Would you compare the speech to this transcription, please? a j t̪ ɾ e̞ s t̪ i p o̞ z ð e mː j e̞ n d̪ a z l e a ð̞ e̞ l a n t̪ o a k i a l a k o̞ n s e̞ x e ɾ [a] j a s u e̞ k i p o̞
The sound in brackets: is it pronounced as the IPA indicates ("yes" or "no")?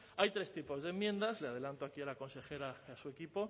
yes